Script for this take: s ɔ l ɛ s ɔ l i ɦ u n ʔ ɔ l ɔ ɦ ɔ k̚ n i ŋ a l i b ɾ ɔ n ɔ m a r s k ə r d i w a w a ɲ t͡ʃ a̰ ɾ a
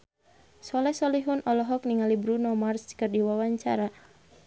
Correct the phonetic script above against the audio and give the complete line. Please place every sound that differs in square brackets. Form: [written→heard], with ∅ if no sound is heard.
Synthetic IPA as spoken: s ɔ l ɛ s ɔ l i ɦ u n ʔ ɔ l ɔ ɦ ɔ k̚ n i ŋ a l i b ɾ [ɔ→u] n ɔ m a r s k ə r d i w a w a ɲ t͡ʃ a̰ ɾ a